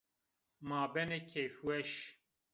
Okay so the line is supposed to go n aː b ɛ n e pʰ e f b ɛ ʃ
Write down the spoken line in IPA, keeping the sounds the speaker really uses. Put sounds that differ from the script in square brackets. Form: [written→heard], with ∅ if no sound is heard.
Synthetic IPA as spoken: [n→m] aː b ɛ n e [pʰ→kʰ] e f [b→w] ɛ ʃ